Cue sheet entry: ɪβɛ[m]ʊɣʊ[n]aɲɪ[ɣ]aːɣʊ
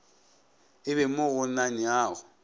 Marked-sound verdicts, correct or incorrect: correct, correct, incorrect: none

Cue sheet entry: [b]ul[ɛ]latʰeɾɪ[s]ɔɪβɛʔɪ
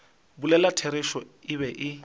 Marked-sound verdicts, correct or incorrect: correct, correct, incorrect: ʃ

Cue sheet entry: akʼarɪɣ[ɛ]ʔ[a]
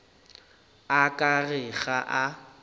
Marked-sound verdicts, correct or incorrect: incorrect: a, correct

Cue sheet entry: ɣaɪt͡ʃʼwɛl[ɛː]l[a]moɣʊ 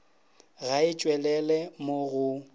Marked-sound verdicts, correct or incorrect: incorrect: ɛ, incorrect: ɛ

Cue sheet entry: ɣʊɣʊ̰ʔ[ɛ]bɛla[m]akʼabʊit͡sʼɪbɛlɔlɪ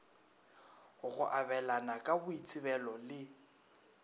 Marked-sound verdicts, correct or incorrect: incorrect: a, incorrect: n

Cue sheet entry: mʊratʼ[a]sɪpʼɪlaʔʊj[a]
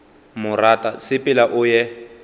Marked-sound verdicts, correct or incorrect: correct, incorrect: ɛ

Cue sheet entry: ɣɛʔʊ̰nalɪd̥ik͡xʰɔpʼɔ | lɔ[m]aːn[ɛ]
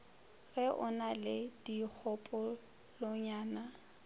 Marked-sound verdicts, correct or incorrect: incorrect: ɲ, incorrect: a

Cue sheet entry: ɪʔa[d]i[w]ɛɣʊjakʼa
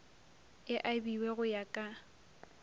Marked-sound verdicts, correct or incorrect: incorrect: b, correct

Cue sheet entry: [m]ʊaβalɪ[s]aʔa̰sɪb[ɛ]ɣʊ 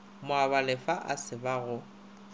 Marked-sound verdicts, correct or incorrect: correct, incorrect: f, incorrect: a

